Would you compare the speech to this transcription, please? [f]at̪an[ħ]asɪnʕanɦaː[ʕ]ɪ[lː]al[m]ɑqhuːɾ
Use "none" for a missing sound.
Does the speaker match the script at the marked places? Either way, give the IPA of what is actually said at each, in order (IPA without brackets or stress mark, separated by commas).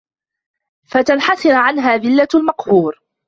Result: f, ħ, ð, lː, m